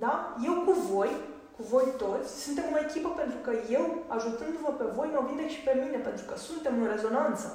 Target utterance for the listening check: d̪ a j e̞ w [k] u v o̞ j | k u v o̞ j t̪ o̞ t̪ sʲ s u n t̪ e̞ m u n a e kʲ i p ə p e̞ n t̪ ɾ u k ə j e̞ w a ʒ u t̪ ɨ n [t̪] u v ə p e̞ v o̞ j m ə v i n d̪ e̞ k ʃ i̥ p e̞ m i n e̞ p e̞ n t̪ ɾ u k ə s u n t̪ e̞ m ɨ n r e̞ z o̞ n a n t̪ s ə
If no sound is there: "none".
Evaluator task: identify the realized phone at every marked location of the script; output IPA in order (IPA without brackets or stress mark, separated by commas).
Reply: k, d̪